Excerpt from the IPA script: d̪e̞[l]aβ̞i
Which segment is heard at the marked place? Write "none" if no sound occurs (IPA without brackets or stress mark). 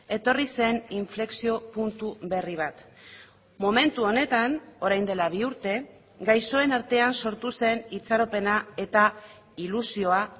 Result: l